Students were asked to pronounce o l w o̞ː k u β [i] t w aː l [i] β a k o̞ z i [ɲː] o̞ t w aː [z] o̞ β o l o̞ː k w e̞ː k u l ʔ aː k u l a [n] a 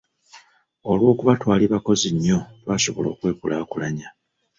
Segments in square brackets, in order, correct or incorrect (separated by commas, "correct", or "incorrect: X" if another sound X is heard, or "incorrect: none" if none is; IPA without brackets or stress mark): incorrect: a, correct, correct, incorrect: s, incorrect: ɲ